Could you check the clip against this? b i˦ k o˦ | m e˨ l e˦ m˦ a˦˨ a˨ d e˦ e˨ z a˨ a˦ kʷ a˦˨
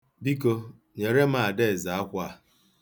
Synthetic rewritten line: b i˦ k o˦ | ɲ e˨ ɾ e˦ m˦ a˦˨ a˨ d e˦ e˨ z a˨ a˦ kʷ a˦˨